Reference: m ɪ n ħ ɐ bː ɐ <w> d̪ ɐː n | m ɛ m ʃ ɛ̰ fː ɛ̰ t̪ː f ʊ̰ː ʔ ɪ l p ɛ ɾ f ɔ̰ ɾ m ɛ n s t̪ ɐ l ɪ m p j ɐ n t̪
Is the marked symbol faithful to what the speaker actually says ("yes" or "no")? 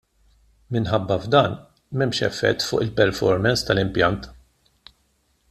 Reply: no